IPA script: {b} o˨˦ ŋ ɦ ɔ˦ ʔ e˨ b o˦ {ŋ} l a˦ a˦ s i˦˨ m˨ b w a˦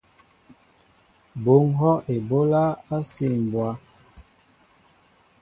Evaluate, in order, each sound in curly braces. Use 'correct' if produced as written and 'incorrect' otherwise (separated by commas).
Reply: correct, incorrect